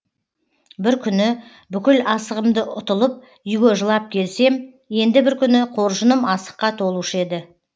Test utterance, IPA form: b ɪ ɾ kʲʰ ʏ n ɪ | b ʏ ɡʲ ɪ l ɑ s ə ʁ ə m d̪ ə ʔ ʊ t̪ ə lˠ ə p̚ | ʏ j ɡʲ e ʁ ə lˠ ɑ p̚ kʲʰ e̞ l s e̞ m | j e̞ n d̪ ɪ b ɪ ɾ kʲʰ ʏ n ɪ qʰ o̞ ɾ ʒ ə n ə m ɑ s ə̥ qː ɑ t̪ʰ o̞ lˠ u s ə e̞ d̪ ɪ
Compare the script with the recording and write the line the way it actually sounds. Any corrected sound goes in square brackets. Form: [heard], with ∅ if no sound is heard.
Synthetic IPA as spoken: b ɪ ɾ kʲʰ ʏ n ɪ | b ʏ [kʲ] ɪ l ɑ s ə ʁ ə m d̪ ə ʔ ʊ t̪ ə lˠ ə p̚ | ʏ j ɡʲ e [ʒ] ə lˠ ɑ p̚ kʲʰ e̞ l s e̞ m | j e̞ n d̪ ɪ b ɪ ɾ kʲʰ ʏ n ɪ qʰ o̞ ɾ ʒ ə n ə m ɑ s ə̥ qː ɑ t̪ʰ o̞ lˠ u [ʃ] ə e̞ d̪ ɪ